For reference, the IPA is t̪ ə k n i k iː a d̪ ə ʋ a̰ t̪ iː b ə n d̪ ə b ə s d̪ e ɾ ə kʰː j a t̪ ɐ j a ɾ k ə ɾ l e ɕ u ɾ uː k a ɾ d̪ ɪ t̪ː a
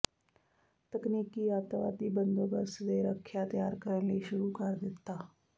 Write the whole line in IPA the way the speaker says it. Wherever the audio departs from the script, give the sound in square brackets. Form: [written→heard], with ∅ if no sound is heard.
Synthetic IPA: t̪ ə k n i k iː a [d̪→t̪] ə ʋ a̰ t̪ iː b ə n d̪ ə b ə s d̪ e ɾ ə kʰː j a t̪ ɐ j a ɾ k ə ɾ l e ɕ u ɾ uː k a ɾ d̪ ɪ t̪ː a